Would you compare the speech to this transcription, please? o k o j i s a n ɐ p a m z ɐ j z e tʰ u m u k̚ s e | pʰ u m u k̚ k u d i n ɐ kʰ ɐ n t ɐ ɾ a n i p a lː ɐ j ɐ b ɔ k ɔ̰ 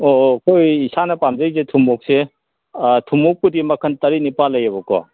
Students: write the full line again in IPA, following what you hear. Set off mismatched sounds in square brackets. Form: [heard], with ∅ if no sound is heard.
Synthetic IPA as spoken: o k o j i s a n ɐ p a m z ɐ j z e tʰ u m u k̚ s e | [tʰ] u m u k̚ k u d i [m] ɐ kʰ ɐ n t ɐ ɾ [i] n i p a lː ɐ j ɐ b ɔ k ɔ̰